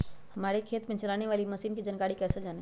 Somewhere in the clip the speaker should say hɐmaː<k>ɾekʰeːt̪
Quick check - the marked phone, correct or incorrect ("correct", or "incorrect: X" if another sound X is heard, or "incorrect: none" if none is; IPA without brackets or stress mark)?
incorrect: none